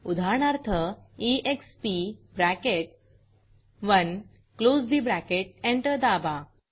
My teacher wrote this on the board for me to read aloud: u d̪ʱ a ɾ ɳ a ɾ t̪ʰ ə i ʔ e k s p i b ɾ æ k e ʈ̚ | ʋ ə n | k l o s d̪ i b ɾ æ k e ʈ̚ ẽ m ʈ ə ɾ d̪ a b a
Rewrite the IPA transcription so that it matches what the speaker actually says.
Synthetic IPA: u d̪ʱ a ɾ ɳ a ɾ t̪ʰ ə i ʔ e k s p i b ɾ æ k e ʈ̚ | ʋ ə n | k l o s d̪ i b ɾ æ k e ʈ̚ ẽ ɳ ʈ ə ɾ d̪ a b a